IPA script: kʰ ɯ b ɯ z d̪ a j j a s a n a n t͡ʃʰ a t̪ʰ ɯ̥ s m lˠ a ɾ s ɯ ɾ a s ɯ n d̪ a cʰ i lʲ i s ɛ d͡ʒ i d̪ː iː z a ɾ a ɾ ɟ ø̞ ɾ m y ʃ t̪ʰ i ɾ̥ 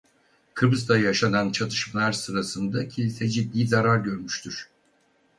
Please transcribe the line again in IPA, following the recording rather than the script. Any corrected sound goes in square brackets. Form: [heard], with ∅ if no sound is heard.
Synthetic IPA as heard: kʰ ɯ b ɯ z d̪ a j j a [ʃ] a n a n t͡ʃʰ a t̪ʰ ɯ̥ [ʃ] m lˠ a ɾ s ɯ ɾ a s ɯ n d̪ a cʰ i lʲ i s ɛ d͡ʒ i d̪ː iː z a ɾ a ɾ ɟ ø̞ ɾ m y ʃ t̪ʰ [y] ɾ̥